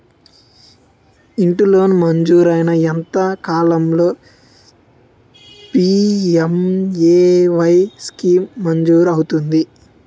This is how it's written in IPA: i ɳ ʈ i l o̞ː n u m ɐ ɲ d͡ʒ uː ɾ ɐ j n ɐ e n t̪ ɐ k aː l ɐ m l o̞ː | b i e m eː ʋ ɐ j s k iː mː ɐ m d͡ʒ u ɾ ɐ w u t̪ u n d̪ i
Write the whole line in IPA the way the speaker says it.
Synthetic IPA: i ɳ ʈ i l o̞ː n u m ɐ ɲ d͡ʒ uː ɾ ɐ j n ɐ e n t̪ ɐ k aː l ɐ m l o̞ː | p i e m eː ʋ ɐ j s k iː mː ɐ ɲ d͡ʒ uː ɾ ɐ w u t̪ u n d̪ i